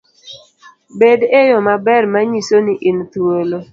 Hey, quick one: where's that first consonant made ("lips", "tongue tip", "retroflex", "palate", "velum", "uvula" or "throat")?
lips